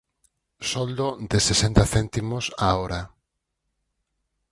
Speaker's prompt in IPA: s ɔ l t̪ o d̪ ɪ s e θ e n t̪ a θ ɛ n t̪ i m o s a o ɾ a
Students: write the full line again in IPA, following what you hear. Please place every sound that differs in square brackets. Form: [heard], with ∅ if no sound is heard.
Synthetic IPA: s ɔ l [d̪] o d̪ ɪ s e [s] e n t̪ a θ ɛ n t̪ i m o s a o ɾ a